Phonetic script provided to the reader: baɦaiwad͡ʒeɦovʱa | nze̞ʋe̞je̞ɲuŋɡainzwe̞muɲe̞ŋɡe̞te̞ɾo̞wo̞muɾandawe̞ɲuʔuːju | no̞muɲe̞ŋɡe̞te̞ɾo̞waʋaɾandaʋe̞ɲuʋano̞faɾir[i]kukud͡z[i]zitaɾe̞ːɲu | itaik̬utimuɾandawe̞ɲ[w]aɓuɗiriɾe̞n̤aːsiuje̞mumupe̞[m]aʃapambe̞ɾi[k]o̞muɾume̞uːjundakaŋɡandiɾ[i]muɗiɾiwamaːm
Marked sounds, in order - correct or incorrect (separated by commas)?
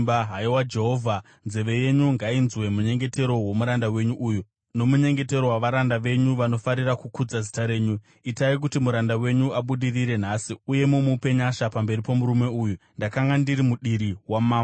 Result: incorrect, incorrect, incorrect, incorrect, incorrect, correct